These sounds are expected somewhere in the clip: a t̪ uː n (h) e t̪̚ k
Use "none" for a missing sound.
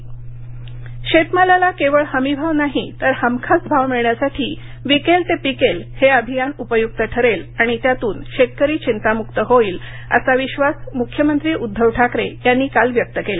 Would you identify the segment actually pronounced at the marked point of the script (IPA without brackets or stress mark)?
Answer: ɕ